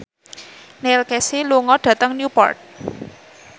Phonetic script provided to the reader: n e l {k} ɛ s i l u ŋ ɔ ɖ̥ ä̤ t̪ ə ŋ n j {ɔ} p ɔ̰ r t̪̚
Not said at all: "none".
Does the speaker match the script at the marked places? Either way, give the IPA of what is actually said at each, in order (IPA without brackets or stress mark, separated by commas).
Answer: k, u